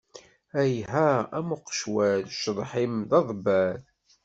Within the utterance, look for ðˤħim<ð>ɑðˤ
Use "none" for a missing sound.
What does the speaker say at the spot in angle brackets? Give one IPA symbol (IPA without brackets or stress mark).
ð